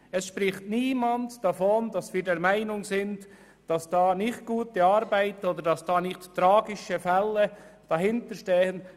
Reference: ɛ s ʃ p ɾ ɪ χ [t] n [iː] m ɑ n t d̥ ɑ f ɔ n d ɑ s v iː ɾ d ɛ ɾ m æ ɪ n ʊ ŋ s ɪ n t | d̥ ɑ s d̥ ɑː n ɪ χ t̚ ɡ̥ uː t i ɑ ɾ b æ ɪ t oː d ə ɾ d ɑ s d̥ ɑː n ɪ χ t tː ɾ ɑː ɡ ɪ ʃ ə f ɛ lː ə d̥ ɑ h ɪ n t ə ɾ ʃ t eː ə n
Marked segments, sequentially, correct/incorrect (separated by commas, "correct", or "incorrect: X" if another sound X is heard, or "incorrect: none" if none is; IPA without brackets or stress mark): correct, correct